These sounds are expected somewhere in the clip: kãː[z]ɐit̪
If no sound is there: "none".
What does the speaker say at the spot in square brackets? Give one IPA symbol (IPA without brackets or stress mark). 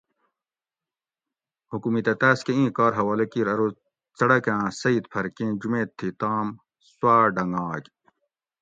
s